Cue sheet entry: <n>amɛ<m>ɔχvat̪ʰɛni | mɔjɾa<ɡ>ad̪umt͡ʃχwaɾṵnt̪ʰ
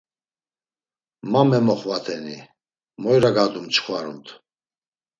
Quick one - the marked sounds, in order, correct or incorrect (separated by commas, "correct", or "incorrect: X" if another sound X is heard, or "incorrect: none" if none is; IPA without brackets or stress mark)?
incorrect: m, correct, correct